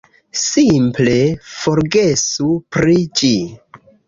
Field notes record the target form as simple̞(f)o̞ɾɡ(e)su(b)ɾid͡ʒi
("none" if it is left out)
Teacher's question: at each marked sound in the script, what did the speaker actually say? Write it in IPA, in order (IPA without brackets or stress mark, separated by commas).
f, e, p